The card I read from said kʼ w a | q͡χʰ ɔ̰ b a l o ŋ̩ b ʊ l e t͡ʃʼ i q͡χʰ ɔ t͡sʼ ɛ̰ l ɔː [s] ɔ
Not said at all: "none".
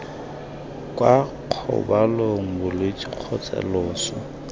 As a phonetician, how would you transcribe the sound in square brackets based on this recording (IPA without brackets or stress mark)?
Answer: s